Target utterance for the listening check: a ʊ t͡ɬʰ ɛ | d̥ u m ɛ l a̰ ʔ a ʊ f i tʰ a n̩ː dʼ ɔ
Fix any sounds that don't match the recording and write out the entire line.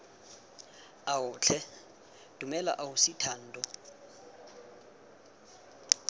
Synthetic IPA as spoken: a ʊ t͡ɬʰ ɛ | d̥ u m ɛ l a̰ ʔ a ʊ s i tʰ a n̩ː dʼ ɔ